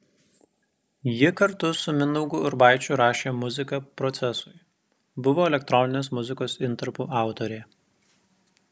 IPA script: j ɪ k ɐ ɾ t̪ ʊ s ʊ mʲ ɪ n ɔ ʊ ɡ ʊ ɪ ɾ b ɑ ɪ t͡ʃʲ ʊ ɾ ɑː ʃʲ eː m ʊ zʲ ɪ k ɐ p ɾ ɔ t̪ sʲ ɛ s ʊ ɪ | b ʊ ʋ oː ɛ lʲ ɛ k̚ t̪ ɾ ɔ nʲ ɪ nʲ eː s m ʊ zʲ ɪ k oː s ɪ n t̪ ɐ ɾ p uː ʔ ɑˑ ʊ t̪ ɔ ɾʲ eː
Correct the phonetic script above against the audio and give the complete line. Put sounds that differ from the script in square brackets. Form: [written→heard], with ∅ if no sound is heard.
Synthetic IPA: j ɪ k ɐ ɾ t̪ ʊ s ʊ mʲ ɪ n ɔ ʊ ɡ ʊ ɪ ɾ b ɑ ɪ t͡ʃʲ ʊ ɾ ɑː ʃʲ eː m ʊ zʲ ɪ k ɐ p ɾ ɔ t̪ sʲ ɛ s ʊ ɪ | b ʊ ʋ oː ɛ lʲ ɛ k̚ t̪ ɾ ɔ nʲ ɪ nʲ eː s m ʊ zʲ ɪ k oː s ɪ n t̪ ɐ ɾ p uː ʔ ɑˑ ʊ t̪ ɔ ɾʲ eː